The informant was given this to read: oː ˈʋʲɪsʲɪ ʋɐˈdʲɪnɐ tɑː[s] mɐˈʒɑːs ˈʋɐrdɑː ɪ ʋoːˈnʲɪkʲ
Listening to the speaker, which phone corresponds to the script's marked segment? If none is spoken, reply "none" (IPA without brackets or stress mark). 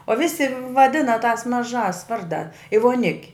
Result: s